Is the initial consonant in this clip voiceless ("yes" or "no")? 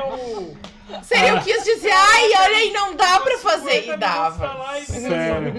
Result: yes